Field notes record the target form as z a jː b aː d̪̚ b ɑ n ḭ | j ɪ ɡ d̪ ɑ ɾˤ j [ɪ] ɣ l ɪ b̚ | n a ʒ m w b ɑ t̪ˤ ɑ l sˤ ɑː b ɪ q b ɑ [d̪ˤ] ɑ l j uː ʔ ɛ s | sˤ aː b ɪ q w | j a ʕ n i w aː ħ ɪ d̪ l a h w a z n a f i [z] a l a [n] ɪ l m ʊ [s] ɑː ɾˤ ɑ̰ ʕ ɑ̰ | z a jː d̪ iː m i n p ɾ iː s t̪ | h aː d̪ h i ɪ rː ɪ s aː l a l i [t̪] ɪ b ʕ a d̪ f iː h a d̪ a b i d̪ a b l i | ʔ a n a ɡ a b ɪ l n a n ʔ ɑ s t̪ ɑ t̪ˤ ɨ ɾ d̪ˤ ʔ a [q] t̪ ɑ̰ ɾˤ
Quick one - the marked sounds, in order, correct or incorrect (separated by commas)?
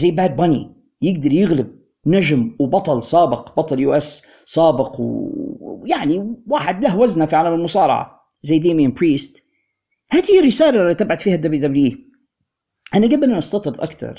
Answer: correct, incorrect, incorrect, incorrect, correct, correct, incorrect